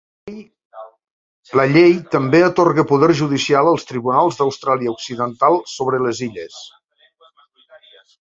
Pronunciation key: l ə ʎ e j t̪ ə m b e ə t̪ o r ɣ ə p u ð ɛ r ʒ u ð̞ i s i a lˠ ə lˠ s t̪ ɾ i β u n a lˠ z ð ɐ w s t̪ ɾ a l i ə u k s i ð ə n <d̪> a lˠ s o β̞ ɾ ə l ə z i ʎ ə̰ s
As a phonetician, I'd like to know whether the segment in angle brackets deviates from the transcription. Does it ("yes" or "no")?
yes